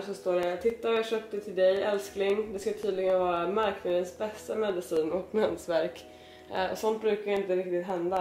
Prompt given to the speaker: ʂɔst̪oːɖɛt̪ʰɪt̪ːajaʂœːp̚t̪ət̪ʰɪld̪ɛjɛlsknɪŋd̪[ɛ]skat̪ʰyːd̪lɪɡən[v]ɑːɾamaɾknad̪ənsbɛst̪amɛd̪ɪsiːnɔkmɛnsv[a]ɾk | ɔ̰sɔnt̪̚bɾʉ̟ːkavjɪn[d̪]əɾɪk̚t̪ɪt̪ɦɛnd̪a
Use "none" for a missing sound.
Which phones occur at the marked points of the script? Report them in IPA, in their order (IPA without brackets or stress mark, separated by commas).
ɛ, v, æ, t̪